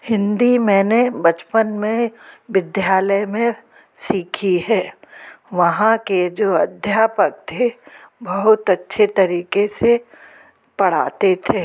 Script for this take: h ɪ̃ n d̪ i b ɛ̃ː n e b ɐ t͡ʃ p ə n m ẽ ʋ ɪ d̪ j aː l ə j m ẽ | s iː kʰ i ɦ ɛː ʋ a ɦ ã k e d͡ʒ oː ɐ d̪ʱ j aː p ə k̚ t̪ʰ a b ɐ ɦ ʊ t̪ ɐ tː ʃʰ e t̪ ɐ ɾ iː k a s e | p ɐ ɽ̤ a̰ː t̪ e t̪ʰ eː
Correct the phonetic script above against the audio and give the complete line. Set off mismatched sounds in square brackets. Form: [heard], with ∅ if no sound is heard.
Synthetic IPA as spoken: h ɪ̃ n d̪ i [m] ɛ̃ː n e b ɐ t͡ʃ p ə n m ẽ ʋ ɪ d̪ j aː l ə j m ẽ | s iː kʰ i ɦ ɛː ʋ [ɐ] ɦ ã k e d͡ʒ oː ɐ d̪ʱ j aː p ə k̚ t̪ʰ [e] b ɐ ɦ ʊ t̪ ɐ tː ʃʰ e t̪ ɐ ɾ iː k [e] s e | p ɐ ɽ̤ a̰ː t̪ e t̪ʰ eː